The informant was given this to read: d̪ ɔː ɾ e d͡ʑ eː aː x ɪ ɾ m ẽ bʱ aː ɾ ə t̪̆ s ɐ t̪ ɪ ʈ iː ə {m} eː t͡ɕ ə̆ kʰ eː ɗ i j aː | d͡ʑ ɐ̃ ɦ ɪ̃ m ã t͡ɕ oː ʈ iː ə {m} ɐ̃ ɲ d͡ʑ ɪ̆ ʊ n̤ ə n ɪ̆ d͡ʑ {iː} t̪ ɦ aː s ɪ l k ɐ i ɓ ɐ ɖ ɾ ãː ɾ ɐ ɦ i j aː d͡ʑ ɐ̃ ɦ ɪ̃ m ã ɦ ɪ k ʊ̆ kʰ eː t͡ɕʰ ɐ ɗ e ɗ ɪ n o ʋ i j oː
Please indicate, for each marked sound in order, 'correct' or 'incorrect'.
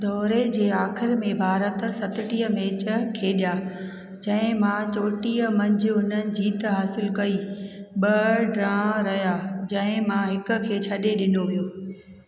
correct, correct, correct

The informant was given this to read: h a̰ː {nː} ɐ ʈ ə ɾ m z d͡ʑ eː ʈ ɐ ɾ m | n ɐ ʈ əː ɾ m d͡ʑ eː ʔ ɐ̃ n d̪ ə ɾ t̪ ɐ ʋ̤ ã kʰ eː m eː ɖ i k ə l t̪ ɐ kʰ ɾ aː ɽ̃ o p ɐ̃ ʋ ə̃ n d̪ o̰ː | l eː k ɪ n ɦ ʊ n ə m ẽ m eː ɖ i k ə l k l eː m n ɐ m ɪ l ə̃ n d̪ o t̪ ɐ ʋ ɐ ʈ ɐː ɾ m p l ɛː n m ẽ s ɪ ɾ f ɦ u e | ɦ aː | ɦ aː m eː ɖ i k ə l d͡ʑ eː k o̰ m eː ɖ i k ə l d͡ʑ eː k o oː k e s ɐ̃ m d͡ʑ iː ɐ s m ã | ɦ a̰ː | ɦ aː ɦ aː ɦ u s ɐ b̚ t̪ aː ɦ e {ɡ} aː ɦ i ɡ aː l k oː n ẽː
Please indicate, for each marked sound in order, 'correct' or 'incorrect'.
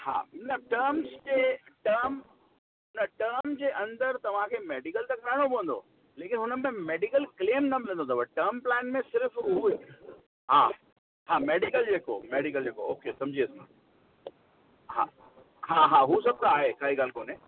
incorrect: n, incorrect: k

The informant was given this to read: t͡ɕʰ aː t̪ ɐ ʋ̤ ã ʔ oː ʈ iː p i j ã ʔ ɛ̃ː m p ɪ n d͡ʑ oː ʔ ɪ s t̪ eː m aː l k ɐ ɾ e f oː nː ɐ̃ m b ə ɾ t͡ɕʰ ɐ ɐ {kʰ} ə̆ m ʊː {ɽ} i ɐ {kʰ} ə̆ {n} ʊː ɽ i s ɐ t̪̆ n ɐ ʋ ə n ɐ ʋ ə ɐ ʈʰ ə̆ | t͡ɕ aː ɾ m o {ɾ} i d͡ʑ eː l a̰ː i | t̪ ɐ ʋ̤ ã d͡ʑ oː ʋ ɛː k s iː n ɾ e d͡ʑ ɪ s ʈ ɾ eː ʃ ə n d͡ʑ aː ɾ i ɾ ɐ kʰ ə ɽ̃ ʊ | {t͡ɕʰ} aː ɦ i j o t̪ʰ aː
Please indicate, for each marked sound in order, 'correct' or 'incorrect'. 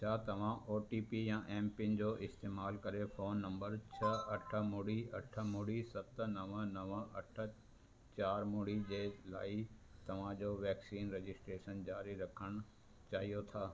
incorrect: ʈʰ, correct, incorrect: ʈʰ, incorrect: m, incorrect: ɽ, incorrect: t͡ɕ

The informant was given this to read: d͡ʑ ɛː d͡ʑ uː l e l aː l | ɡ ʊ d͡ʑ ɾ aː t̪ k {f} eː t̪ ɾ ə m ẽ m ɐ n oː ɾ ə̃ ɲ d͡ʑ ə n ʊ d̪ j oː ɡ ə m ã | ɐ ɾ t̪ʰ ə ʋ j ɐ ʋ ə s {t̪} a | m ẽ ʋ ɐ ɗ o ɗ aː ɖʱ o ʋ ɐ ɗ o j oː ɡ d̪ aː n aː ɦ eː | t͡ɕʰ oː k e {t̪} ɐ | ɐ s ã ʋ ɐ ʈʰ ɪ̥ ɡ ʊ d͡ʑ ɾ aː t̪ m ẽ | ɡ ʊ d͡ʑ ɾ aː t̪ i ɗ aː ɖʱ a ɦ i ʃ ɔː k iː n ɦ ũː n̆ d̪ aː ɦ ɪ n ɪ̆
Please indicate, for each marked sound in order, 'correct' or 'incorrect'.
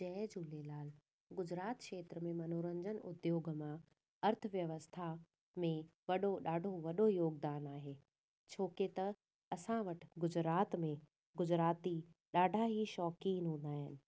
incorrect: ʃ, incorrect: t̪ʰ, correct

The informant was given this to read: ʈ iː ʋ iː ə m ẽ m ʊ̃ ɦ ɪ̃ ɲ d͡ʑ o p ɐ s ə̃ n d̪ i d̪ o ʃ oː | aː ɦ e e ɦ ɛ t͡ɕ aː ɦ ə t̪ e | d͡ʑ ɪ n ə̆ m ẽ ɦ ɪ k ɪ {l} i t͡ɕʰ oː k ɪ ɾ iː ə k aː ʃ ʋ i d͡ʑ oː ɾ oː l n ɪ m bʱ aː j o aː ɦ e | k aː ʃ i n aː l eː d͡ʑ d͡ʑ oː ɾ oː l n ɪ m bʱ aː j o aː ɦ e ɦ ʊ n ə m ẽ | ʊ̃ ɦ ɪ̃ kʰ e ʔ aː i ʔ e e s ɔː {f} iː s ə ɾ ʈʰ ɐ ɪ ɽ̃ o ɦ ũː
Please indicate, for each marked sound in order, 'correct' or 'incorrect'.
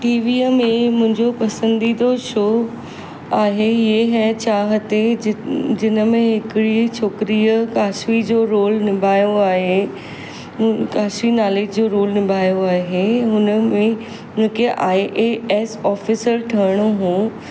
incorrect: ɽ, correct

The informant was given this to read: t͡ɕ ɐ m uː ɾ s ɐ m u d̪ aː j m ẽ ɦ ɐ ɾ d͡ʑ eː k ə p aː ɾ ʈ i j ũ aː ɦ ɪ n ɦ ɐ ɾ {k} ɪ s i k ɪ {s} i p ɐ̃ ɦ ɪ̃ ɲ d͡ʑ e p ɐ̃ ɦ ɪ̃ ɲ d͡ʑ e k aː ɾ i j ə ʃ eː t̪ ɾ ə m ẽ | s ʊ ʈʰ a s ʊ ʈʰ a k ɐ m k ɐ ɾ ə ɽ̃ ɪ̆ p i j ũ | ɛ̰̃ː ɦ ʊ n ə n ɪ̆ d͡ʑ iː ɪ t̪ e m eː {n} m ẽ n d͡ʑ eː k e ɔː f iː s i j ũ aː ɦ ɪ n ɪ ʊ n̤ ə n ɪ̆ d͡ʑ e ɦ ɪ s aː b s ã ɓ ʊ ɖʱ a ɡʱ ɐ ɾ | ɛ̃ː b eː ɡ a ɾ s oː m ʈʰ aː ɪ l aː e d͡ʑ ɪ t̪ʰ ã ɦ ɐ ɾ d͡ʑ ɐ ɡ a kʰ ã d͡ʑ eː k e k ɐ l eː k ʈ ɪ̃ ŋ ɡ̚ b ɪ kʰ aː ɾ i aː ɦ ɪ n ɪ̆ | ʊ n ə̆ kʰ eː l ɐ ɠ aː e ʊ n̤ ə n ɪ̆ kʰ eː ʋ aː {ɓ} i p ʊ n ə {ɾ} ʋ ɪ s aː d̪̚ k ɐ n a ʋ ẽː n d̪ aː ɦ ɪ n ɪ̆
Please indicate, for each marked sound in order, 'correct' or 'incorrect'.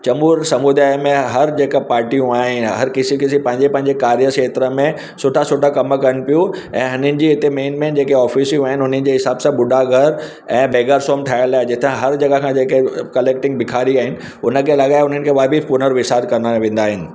correct, correct, correct, incorrect: b, correct

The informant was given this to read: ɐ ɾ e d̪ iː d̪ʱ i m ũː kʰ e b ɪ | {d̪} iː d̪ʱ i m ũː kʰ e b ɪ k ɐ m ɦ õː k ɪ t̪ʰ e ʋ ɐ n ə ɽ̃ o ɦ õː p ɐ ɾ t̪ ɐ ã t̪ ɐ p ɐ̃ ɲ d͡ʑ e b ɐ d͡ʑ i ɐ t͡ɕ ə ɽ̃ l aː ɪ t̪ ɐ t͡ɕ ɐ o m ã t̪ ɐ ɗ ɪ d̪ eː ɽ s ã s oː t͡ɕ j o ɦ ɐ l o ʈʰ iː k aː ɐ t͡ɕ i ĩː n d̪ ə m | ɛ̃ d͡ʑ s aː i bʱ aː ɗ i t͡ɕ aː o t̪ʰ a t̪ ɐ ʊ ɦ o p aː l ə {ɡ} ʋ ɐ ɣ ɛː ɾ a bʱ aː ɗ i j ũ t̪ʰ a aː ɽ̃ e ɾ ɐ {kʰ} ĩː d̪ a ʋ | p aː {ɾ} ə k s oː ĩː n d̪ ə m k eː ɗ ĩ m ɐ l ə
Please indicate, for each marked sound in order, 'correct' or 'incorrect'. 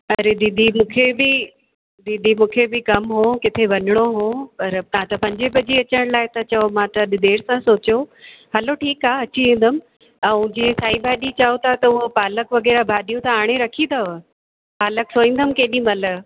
correct, incorrect: k, correct, incorrect: l

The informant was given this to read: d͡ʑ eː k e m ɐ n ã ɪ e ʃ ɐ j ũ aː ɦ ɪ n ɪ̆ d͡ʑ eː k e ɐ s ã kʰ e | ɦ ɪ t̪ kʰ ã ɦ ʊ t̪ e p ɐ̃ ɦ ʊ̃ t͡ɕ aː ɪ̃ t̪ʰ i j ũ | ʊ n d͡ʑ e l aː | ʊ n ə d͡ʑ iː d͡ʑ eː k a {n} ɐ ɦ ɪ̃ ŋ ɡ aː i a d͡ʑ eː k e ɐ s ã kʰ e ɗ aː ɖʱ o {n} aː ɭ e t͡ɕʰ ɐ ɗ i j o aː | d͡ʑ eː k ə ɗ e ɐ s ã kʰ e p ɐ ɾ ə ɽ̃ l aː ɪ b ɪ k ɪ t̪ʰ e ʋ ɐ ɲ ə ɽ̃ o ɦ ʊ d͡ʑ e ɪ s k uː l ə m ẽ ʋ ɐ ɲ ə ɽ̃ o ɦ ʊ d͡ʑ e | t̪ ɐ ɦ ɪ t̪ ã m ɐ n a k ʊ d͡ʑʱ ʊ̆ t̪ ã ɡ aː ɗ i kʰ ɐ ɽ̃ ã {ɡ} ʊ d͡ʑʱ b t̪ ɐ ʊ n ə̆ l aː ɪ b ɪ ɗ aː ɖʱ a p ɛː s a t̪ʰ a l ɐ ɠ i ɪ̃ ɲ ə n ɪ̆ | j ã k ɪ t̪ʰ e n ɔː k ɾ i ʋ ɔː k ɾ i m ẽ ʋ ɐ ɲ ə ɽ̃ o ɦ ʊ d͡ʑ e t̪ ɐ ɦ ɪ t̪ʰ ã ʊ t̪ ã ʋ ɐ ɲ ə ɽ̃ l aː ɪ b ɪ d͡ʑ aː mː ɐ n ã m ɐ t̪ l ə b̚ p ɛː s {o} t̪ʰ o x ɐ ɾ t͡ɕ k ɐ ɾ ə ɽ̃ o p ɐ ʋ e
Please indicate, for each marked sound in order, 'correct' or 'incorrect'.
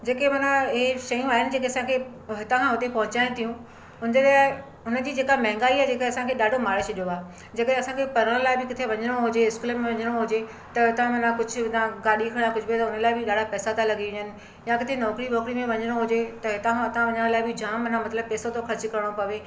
incorrect: m, incorrect: m, incorrect: k, correct

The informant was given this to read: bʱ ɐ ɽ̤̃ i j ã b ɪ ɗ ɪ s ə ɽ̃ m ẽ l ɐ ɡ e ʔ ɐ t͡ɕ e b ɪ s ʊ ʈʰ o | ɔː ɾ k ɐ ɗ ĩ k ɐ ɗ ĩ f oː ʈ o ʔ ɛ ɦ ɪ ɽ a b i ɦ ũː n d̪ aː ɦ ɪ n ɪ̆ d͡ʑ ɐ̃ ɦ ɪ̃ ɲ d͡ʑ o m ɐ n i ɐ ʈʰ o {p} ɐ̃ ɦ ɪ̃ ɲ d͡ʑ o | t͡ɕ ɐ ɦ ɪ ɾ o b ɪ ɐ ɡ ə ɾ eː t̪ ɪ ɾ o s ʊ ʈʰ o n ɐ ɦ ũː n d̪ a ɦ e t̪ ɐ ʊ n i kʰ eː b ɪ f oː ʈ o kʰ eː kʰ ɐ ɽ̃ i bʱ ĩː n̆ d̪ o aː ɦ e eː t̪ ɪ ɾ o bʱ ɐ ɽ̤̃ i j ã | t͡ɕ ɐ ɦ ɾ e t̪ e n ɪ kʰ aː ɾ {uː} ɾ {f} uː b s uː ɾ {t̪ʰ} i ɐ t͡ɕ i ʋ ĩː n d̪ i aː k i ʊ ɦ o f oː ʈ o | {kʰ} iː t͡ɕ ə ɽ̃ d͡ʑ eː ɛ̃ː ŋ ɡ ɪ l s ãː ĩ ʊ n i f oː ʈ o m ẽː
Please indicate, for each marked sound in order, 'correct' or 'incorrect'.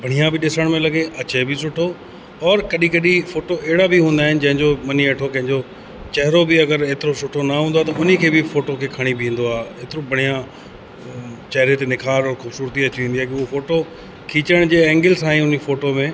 incorrect: k, incorrect: ɔː, incorrect: x, incorrect: t̪, correct

